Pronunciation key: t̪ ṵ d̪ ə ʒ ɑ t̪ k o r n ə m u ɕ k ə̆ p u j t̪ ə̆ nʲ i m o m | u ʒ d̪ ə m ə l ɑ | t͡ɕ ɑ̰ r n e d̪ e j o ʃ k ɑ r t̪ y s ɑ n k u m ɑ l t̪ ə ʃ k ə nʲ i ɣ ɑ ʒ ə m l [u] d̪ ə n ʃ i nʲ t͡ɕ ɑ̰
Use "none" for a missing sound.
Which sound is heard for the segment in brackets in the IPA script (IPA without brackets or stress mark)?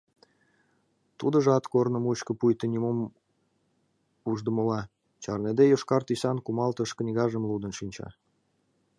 u